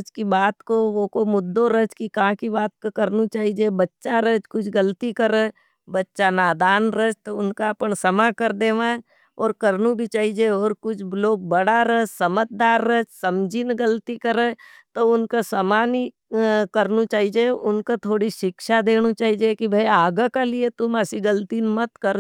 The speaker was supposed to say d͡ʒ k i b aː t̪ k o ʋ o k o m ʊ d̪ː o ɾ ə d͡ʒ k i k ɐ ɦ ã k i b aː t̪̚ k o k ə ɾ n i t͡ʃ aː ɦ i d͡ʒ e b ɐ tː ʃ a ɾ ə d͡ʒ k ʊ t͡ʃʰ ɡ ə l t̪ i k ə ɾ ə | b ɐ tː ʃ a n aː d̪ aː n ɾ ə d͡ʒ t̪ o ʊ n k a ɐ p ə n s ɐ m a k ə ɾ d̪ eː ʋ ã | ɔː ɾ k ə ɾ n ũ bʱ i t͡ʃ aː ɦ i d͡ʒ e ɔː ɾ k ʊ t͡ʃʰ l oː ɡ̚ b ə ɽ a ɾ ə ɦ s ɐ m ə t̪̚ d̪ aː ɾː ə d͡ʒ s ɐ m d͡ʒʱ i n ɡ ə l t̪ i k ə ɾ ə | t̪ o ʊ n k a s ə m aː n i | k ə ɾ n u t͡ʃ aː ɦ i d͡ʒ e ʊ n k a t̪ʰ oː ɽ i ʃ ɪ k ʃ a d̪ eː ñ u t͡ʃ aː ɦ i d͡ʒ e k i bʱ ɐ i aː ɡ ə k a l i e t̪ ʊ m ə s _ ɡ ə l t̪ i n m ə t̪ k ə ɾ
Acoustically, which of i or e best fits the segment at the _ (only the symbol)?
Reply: i